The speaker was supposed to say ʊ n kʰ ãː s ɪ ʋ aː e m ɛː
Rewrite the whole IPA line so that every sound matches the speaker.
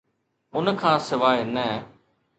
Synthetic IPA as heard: ʊ n kʰ ãː s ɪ ʋ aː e n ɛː